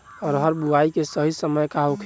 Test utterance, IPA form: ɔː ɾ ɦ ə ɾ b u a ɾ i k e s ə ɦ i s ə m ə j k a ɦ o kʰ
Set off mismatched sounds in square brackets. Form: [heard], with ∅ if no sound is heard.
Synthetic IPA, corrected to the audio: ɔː ɾ ɦ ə ɾ b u a [∅] i k e s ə ɦ i s ə m ə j k a ɦ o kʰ

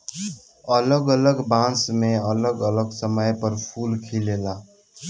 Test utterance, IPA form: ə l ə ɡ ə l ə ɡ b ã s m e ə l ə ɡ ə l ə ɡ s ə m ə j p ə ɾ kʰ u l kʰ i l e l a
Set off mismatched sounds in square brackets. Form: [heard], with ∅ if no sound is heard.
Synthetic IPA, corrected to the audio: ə l ə ɡ ə l ə ɡ b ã s m e ə l ə ɡ ə l ə ɡ s ə m ə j p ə ɾ [pʰ] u l kʰ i l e l a

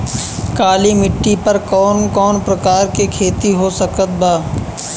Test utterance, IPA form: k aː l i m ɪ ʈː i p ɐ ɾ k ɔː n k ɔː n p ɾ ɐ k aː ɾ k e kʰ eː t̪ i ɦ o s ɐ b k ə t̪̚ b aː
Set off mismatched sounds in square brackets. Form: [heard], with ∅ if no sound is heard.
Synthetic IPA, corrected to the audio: k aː l i m ɪ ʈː i p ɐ ɾ k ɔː n k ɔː n p ɾ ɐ k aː ɾ k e kʰ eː t̪ i ɦ o s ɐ [∅] k ə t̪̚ b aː

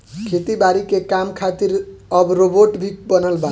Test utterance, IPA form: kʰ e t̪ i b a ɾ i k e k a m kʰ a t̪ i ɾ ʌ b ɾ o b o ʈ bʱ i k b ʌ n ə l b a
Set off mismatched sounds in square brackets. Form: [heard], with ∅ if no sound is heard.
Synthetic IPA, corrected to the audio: kʰ e t̪ i b a ɾ i k e k a m kʰ a t̪ i ɾ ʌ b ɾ o b o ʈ bʱ i k b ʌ n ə l b a

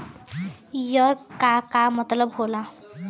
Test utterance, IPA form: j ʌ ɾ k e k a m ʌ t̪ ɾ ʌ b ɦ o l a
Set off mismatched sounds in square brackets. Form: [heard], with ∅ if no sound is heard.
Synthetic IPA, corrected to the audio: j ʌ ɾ k [a] k a m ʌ t̪ [l] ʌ b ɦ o l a

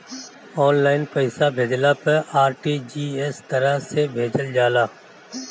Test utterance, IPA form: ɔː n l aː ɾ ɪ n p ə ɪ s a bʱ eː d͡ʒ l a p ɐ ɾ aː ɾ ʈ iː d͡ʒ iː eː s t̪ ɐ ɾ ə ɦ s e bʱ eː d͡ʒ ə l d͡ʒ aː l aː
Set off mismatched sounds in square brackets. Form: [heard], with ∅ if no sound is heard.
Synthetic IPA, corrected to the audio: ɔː n l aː [∅] ɪ n p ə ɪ s a bʱ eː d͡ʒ l a p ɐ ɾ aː ɾ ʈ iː d͡ʒ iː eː s t̪ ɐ ɾ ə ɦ s e bʱ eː d͡ʒ ə l d͡ʒ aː l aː

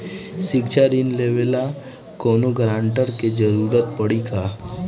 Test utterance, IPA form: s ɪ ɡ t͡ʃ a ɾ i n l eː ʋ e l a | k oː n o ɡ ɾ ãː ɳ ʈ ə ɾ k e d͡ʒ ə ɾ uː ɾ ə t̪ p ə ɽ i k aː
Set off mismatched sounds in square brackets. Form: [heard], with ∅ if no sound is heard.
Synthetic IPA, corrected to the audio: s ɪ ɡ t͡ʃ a ɾ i n l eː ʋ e l a | k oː n o ɡ ɾ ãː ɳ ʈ ə ɾ k e d͡ʒ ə ɾ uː ɾ ə t̪ p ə ɽ i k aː

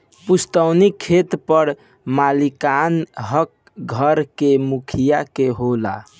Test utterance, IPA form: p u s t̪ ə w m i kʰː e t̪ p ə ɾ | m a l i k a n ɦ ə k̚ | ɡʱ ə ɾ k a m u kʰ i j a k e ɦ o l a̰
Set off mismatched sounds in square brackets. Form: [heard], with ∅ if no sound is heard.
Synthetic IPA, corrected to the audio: p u s t̪ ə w [n] i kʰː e t̪ p ə ɾ | m a l i k a n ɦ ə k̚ | ɡʱ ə ɾ k [e] m u kʰ i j a k e ɦ o l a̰

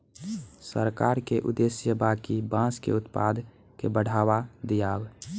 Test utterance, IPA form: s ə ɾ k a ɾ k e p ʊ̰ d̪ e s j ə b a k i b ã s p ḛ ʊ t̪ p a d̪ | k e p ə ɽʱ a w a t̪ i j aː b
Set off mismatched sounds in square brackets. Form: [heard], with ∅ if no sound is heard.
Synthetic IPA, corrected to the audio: s ə ɾ k a ɾ k e [ʔ] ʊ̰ d̪ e s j ə b a k i b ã s [k] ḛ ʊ t̪ p a d̪ | k e [b] ə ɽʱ a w a [d̪] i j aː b

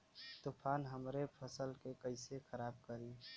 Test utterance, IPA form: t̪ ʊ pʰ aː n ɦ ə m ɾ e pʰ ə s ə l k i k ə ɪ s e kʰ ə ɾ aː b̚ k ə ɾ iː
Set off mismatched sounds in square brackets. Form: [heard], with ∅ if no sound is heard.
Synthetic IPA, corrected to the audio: t̪ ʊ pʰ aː n ɦ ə m ɾ e pʰ ə s ə l k [e] k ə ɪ s e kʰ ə ɾ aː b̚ k ə ɾ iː

